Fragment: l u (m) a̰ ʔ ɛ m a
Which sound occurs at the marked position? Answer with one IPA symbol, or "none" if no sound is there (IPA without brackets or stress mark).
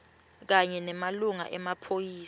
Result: ŋ